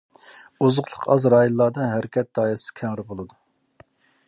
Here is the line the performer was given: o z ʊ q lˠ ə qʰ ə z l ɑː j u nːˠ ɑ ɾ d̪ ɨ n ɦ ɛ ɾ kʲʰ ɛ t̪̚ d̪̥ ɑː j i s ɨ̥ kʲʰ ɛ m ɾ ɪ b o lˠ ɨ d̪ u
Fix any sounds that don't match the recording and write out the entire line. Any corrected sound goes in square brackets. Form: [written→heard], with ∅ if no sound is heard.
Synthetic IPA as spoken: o z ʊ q lˠ ə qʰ [ə→ɑ] z [l→ɾ] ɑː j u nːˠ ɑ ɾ d̪ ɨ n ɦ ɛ ɾ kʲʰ ɛ t̪̚ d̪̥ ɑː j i s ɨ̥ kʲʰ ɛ [m→ŋ] ɾ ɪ b o lˠ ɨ d̪ u

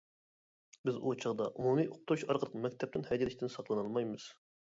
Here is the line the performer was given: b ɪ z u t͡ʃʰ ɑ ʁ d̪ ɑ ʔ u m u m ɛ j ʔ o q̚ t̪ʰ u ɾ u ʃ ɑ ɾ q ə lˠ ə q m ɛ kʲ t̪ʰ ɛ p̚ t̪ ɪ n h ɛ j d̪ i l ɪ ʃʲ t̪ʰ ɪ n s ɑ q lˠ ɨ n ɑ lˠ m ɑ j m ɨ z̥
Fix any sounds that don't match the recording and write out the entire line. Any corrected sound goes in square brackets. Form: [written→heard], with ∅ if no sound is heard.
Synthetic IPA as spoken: b ɪ z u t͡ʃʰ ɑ ʁ d̪ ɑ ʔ u m u m [ɛ→i] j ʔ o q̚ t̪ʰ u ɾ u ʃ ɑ ɾ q ə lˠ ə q m ɛ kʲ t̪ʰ ɛ p̚ t̪ ɪ n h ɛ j d̪ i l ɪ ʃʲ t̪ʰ ɪ n s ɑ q lˠ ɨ n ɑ lˠ m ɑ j m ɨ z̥

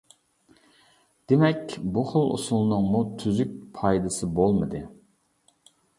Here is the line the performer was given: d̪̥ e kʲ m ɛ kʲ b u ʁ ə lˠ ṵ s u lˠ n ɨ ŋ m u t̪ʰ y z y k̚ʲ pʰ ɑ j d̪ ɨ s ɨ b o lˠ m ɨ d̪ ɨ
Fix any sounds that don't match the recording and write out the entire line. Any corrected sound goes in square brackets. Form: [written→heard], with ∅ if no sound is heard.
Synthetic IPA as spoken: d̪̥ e [kʲ→∅] m ɛ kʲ b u [ʁ→χ] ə lˠ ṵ s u lˠ n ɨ ŋ m u t̪ʰ y z y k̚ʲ pʰ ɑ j d̪ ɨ s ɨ b o lˠ m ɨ d̪ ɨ

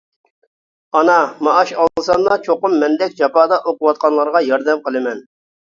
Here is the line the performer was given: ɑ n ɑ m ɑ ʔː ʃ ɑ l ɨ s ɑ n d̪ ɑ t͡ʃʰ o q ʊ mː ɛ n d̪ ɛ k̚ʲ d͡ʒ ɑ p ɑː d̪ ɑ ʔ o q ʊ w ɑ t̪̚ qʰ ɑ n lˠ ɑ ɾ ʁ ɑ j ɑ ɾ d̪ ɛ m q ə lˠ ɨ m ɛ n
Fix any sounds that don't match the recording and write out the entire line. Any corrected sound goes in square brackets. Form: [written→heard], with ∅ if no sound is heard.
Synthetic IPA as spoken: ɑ n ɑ m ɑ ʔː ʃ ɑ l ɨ s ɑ n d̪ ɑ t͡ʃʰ o q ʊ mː ɛ n d̪ ɛ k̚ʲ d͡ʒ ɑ p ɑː d̪ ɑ ʔ o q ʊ w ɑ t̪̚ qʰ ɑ n lˠ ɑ ɾ ʁ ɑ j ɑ ɾ d̪ ɛ m q ə lˠ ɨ m ɛ n

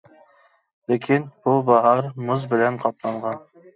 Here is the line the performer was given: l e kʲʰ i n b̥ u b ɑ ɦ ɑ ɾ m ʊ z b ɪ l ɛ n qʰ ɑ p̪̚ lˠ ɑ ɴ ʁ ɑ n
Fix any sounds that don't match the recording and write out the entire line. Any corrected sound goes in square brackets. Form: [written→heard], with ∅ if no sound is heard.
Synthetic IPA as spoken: l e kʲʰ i n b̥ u b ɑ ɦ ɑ ɾ m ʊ z b ɪ l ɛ n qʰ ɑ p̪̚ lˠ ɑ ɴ ʁ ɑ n

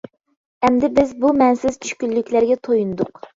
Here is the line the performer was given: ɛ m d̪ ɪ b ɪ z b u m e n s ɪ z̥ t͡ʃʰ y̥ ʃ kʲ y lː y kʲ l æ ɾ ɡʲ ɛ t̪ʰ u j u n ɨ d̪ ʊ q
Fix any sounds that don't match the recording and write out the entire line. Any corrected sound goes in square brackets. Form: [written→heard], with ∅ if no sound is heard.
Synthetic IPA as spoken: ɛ m d̪ ɪ b ɪ z b u m [e→ɛ] n s ɪ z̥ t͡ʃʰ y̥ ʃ kʲ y lː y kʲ l æ ɾ ɡʲ ɛ t̪ʰ [u→o] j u n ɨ d̪ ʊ q

